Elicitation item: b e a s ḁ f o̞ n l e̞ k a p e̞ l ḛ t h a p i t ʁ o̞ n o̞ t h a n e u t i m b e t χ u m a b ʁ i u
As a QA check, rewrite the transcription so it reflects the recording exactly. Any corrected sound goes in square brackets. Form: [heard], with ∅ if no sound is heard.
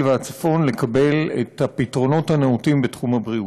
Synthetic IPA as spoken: [v] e a [t͡s] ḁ f o̞ n l e̞ k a [b] e̞ l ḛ t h a p i t ʁ o̞ n o̞ t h a n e u t i m b e t χ u m a b ʁ i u